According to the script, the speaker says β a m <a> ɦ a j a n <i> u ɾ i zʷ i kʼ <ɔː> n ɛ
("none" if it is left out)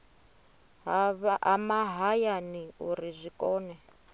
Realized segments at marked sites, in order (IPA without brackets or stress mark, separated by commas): a, i, ɔː